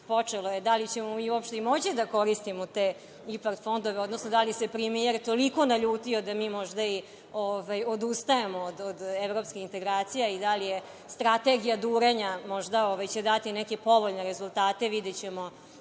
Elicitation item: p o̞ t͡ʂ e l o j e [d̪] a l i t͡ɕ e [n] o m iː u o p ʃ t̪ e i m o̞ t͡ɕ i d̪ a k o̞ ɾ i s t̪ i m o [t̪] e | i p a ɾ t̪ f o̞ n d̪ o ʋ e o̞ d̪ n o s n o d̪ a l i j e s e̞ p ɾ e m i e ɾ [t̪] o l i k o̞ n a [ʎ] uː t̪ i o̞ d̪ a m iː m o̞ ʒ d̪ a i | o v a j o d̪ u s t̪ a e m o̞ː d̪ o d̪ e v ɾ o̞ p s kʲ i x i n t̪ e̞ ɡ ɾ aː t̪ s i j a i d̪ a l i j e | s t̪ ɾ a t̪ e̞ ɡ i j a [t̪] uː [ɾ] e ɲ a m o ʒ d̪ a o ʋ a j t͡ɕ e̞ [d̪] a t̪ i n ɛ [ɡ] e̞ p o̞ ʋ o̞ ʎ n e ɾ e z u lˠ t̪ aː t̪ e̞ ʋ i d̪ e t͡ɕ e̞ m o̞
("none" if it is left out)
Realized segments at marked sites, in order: d̪, m, t̪, t̪, ʎ, d̪, ɾ, d̪, k

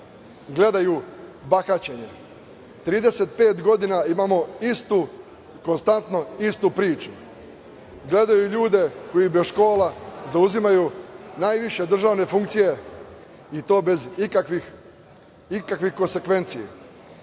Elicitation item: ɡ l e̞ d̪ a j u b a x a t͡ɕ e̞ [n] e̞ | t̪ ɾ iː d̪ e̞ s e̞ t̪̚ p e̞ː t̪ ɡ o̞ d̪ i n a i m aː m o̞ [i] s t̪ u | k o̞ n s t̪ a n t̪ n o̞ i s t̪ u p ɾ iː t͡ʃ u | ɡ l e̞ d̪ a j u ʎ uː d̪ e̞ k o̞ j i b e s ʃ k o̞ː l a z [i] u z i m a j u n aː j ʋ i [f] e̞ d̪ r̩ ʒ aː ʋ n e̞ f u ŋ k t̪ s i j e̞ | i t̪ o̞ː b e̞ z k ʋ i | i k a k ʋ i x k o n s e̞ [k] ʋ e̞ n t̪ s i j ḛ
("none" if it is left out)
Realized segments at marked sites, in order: ɲ, i, a, ʃ, k

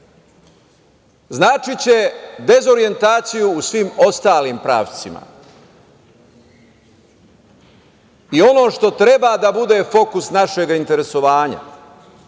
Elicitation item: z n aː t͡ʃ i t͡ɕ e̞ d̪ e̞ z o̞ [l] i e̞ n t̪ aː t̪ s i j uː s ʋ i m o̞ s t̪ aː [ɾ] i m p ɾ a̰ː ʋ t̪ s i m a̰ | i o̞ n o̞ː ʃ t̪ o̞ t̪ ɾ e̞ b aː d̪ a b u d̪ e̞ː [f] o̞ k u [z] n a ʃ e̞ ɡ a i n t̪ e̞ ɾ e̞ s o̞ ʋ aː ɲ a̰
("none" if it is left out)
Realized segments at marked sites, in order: ɾ, l, f, s

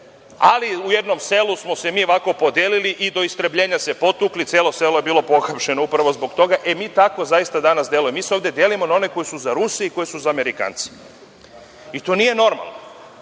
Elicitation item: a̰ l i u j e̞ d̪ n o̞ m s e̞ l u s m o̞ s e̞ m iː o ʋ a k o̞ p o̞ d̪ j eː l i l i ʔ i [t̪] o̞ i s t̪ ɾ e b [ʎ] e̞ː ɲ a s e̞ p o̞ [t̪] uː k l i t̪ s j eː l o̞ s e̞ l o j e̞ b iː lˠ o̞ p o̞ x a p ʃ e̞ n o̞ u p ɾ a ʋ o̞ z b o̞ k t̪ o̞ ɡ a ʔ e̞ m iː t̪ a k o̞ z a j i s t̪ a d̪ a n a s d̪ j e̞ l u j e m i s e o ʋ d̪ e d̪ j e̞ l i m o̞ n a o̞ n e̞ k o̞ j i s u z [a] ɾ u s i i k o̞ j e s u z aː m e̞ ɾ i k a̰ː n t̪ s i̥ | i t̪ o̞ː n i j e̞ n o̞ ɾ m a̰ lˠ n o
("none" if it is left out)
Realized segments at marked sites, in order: d̪, ʎ, t̪, a

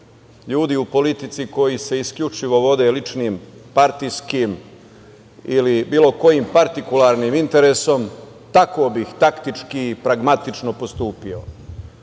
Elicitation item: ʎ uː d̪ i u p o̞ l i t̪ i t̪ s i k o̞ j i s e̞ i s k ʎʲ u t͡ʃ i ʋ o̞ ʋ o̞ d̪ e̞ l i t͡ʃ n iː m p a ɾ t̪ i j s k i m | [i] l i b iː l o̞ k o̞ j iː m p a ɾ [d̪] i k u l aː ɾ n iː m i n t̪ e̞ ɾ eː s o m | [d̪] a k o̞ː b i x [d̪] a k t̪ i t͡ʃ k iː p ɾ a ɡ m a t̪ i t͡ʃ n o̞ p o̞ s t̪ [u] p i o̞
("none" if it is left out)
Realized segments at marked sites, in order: i, t̪, t̪, t̪, uː

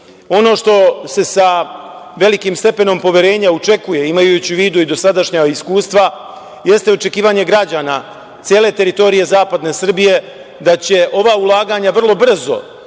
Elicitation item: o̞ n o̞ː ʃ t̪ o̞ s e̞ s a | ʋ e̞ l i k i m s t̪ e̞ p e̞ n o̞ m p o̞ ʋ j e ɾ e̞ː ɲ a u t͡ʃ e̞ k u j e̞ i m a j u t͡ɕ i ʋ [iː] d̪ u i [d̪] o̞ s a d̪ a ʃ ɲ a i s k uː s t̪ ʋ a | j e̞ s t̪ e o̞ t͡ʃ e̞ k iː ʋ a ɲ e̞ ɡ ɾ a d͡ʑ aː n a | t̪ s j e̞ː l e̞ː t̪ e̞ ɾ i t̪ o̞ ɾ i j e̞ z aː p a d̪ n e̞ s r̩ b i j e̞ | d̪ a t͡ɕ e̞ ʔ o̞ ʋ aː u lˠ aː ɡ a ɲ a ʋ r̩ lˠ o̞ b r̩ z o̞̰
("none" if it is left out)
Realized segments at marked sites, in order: iː, d̪

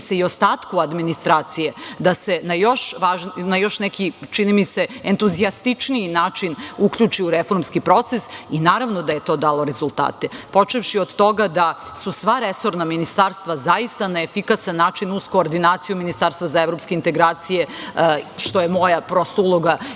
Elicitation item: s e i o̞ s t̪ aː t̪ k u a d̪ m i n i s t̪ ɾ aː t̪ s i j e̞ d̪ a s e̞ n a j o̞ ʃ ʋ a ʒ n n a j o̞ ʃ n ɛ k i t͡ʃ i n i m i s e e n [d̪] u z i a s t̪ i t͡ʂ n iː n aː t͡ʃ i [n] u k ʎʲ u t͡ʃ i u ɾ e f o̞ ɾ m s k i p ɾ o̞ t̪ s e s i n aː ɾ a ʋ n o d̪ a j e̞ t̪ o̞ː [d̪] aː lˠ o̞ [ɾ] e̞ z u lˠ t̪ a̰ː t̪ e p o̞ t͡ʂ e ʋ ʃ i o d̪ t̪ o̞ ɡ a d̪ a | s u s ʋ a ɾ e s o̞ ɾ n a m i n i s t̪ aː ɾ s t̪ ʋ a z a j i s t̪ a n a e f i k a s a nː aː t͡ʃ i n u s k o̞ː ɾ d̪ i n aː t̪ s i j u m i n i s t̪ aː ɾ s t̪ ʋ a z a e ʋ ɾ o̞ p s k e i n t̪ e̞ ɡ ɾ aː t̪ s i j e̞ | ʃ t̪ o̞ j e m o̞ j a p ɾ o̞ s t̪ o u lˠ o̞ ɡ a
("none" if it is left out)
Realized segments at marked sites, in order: t̪, n, d̪, ɾ

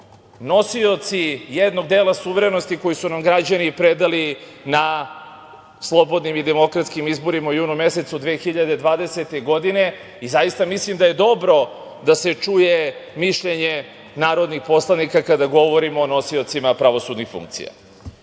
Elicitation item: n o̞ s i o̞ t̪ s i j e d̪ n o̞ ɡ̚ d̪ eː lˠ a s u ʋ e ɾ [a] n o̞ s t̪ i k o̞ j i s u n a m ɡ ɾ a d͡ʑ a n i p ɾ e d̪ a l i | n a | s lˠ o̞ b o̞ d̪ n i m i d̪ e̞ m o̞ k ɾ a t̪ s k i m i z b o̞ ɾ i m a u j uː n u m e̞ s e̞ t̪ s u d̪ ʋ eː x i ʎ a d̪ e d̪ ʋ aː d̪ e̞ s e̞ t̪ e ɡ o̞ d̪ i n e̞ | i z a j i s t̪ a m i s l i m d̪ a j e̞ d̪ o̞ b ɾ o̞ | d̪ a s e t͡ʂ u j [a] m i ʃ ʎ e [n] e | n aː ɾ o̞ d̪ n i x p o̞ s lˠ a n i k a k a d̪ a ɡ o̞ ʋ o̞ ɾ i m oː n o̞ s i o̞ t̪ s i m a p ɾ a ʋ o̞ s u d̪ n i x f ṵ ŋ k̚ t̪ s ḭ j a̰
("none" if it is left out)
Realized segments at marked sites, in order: e, e, ɲ

